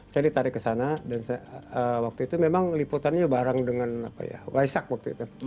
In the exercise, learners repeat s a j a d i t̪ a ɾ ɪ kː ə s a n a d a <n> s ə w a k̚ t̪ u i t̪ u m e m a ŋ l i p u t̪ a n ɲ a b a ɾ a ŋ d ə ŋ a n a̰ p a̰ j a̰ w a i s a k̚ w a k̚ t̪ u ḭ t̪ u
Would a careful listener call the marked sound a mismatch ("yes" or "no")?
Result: no